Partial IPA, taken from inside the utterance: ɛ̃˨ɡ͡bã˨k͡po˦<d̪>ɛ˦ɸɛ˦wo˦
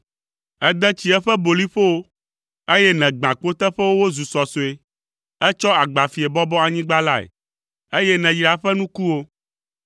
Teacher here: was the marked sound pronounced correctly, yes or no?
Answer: no